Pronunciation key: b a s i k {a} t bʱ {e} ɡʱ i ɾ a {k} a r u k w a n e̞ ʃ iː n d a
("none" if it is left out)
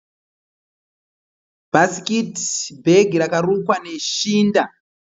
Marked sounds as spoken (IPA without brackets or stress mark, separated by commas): i, e, k